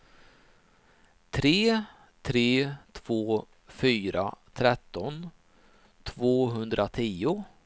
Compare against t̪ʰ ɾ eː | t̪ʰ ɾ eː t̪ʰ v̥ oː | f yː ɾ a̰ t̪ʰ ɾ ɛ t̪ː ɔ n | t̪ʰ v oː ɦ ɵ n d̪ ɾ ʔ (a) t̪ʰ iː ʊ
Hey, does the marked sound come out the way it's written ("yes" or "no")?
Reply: yes